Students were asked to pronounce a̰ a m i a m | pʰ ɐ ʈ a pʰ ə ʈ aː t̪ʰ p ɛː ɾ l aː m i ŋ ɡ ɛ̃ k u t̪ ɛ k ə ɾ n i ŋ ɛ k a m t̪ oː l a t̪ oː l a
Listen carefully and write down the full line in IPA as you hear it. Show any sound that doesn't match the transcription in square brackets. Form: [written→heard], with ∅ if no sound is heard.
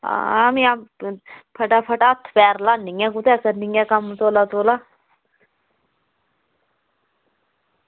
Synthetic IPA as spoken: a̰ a m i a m | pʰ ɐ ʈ a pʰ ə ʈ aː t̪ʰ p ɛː ɾ l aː [m→n] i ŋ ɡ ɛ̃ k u t̪ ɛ k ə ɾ n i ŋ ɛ k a m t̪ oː l a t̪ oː l a

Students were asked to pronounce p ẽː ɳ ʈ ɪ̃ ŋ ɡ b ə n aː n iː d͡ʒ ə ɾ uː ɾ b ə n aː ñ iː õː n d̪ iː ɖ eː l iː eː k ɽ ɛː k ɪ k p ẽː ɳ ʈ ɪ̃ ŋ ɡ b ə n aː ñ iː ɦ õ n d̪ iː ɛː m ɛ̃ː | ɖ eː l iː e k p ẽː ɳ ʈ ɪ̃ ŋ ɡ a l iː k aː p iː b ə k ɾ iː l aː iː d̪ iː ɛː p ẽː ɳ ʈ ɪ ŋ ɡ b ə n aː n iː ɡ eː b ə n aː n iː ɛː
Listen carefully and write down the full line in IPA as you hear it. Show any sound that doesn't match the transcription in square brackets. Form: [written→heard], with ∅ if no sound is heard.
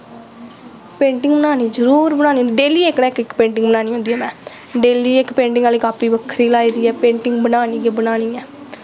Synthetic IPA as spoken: p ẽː ɳ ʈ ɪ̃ ŋ ɡ b ə n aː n iː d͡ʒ ə ɾ uː ɾ b ə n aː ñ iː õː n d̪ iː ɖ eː l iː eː k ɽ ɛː k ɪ k p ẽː ɳ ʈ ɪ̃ ŋ ɡ b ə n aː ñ iː ɦ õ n d̪ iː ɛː m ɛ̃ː | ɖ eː l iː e k p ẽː ɳ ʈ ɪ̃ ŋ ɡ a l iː k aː p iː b ə [k→kʰ] ɾ iː l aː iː d̪ iː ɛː p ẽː ɳ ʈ ɪ ŋ ɡ b ə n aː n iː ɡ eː b ə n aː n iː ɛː

